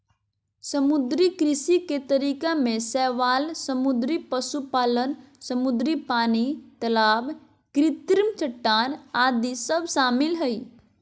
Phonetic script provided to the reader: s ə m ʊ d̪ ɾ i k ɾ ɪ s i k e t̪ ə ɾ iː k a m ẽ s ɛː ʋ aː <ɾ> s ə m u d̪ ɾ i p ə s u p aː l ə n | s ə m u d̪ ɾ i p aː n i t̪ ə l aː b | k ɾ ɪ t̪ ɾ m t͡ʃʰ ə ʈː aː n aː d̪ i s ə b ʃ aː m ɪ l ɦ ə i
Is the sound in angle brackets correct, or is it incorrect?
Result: incorrect